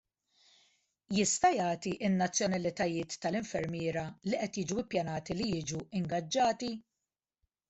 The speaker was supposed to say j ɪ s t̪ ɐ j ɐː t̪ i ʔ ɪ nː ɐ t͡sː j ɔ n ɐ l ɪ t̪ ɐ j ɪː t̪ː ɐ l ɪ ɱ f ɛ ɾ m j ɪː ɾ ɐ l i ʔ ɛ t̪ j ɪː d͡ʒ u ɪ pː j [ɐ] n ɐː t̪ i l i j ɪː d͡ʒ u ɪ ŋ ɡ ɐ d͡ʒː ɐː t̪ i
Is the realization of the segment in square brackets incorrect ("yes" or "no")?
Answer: no